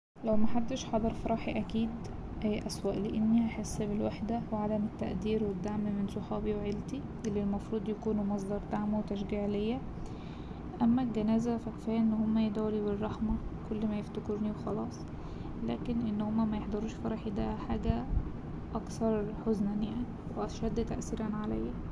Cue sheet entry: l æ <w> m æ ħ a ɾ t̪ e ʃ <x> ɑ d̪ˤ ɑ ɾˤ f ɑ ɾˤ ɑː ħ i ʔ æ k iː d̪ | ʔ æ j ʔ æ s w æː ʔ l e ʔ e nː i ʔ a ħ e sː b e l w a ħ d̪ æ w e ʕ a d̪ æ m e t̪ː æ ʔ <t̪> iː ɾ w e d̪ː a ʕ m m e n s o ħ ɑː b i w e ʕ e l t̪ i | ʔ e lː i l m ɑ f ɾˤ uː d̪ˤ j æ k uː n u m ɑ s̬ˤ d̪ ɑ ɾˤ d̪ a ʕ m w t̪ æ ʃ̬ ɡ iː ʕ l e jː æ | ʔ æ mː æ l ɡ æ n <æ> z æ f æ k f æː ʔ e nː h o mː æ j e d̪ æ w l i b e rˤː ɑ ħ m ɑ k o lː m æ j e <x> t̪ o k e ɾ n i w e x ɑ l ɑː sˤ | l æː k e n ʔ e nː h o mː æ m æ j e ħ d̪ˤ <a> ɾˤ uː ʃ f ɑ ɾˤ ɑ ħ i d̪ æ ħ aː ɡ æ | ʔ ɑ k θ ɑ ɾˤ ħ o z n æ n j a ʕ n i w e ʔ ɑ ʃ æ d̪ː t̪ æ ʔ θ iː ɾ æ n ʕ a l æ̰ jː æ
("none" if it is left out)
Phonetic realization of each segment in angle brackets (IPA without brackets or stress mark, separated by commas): w, ħ, d̪, æː, f, ɑ